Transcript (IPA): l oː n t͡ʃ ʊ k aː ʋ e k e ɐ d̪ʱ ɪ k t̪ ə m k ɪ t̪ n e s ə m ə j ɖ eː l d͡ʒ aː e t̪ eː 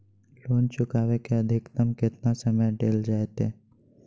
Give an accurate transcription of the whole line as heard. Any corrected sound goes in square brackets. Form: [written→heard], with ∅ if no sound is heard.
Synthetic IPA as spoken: l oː n t͡ʃ ʊ k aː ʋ e k e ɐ d̪ʱ ɪ k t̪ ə m k ɪ t̪ n [e→a] s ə m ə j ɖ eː l d͡ʒ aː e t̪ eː